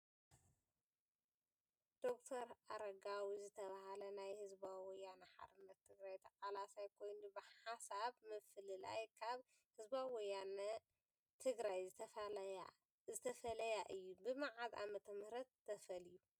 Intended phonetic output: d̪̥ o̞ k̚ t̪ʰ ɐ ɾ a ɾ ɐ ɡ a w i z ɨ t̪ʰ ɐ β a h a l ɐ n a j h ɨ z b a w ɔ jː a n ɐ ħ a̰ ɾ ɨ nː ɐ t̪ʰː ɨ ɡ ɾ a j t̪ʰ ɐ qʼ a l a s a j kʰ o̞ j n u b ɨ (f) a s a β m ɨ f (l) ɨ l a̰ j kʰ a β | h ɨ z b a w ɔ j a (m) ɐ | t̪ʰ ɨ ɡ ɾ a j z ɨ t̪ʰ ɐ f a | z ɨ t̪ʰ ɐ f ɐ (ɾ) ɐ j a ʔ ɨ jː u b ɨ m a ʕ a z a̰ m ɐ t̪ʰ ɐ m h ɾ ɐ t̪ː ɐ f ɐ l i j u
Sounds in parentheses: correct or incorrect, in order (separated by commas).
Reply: incorrect, correct, incorrect, incorrect